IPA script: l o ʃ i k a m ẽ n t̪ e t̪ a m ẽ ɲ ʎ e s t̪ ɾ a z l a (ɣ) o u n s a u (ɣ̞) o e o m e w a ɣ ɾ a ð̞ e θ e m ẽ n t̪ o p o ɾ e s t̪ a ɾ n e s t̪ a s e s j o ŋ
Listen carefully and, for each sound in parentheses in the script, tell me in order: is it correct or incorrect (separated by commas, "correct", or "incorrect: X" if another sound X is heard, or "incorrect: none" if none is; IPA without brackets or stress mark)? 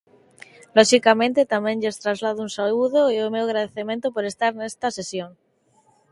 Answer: incorrect: ð, incorrect: ð̞